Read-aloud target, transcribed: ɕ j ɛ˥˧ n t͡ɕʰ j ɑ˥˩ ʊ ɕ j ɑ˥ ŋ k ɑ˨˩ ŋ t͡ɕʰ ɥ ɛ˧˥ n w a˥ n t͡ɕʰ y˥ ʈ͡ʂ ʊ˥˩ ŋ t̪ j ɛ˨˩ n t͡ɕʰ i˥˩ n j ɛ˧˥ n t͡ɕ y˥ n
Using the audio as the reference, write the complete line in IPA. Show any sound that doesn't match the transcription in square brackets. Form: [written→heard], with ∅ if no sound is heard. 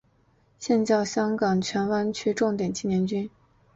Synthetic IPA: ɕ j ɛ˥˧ n [t͡ɕʰ→t͡ɕ] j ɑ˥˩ ʊ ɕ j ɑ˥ ŋ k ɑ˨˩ ŋ t͡ɕʰ ɥ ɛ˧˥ n w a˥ n t͡ɕʰ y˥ ʈ͡ʂ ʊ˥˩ ŋ t̪ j ɛ˨˩ n t͡ɕʰ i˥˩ n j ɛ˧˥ n t͡ɕ y˥ n